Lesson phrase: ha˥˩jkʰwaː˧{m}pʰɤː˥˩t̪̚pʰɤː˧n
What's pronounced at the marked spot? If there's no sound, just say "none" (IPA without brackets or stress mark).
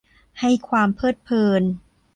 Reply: m